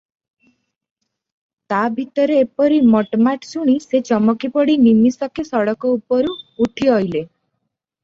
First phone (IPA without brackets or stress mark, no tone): t̪